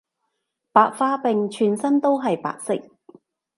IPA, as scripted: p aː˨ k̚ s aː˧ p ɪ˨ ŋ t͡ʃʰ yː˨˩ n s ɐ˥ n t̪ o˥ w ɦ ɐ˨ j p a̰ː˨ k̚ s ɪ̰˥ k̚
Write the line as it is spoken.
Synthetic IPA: p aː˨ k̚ f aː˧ p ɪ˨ ŋ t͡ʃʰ yː˨˩ n s ɐ˥ n t̪ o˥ w ɦ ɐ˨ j p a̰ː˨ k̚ s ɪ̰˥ k̚